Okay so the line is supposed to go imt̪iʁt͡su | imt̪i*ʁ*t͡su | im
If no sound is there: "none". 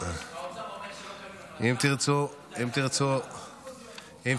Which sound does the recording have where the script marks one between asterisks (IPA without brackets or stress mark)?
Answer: ʁ